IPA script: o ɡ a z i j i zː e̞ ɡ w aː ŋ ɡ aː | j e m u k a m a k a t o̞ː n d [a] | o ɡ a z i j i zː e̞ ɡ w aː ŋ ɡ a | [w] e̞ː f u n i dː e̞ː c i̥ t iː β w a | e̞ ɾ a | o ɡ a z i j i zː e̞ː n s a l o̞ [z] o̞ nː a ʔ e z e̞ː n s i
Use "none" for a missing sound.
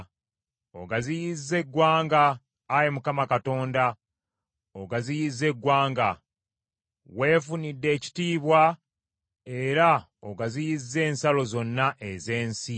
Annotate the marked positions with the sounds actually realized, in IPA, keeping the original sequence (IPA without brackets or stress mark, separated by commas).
a, w, z